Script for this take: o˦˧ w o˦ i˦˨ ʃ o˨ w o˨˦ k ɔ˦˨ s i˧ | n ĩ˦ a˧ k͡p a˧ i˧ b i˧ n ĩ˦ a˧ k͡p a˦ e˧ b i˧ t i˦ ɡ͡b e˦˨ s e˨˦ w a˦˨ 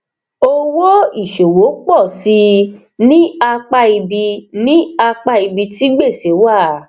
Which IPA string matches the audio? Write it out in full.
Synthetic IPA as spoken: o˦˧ w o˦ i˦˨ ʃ o˨ w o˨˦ k͡p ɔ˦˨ s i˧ | n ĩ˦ a˧ k͡p a˧ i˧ b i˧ n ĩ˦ a˧ k͡p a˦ i˧ b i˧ t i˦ ɡ͡b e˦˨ s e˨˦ w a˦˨

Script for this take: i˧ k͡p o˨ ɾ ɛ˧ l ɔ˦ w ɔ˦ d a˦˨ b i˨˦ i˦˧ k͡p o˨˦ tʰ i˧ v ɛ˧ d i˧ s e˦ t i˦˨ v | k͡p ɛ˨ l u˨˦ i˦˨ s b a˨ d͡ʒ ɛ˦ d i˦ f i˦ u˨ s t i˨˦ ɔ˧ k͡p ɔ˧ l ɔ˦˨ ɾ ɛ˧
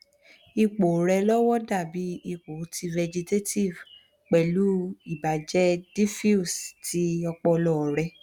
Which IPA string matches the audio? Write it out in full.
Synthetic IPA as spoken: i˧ k͡p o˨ ɾ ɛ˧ l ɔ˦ w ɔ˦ d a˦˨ b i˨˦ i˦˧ k͡p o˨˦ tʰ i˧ v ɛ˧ d͡ʒ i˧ t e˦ t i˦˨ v | k͡p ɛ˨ l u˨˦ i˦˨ b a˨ d͡ʒ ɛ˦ d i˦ f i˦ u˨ s t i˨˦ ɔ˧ k͡p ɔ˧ l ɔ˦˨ ɾ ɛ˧

